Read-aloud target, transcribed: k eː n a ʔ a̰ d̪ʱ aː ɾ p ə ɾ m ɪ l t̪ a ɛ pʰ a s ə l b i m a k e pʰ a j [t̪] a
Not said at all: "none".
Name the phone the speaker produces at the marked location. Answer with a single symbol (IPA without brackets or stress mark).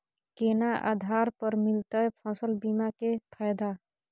d̪